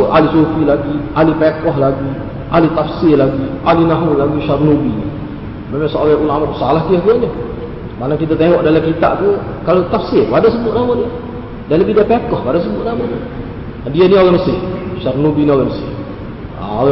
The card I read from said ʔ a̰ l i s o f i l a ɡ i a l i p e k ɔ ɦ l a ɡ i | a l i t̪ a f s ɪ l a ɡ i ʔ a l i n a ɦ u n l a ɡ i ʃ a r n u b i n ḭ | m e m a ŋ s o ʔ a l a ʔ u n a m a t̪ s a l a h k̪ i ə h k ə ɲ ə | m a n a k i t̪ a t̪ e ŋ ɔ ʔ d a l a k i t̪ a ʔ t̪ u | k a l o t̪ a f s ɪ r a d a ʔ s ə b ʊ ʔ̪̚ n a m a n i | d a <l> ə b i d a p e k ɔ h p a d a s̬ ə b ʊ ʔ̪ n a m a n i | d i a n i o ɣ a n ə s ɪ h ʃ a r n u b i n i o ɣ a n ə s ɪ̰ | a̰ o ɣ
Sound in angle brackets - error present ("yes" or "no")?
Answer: no